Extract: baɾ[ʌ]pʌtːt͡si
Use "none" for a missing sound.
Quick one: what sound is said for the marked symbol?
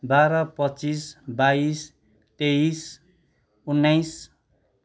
ʌ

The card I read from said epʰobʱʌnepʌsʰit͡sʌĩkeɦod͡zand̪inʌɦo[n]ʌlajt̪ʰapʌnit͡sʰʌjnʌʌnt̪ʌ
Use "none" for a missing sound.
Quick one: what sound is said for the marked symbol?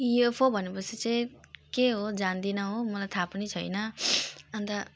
m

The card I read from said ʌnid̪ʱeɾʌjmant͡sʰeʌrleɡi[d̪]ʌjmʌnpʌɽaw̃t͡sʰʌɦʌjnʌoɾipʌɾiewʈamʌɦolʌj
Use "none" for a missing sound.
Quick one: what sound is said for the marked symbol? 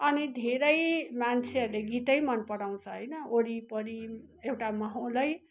t̪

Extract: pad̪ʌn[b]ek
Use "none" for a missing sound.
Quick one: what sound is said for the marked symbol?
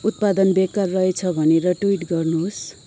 b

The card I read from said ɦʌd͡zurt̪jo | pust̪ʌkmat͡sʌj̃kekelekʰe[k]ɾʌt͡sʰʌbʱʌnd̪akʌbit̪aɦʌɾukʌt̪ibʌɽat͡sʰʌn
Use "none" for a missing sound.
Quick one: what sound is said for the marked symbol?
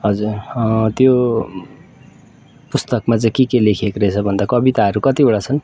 k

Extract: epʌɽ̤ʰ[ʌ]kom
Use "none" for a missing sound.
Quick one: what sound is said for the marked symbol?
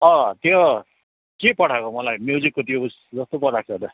a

